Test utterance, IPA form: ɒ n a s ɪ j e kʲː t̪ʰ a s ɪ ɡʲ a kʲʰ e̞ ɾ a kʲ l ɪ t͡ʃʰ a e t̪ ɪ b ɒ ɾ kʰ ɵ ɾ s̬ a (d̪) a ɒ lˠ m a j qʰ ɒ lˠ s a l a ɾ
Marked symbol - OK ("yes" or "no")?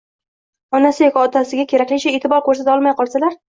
no